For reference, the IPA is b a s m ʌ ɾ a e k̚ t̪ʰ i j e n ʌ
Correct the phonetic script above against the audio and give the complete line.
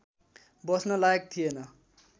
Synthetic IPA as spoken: b ʌ s n ʌ l a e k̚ t̪ʰ i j e n ʌ